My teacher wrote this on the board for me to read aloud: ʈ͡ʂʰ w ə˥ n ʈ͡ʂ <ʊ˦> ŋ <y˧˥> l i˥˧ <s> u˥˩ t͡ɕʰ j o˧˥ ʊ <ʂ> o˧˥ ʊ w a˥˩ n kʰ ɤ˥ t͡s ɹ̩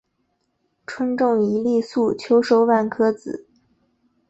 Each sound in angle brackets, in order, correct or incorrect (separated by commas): incorrect, incorrect, correct, correct